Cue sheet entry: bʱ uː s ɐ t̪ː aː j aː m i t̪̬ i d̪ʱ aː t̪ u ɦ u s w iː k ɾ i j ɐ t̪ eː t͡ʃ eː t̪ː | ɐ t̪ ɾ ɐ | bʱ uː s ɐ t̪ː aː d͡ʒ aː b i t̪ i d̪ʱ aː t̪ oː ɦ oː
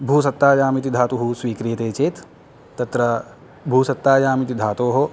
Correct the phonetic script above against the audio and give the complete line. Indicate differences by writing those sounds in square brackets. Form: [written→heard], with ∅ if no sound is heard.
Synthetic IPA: bʱ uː s ɐ t̪ː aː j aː m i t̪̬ i d̪ʱ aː t̪ u ɦ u s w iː k ɾ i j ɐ t̪ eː t͡ʃ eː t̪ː | ɐ t̪ ɾ ɐ | bʱ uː s ɐ t̪ː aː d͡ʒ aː [b→m] i t̪ i d̪ʱ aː t̪ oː ɦ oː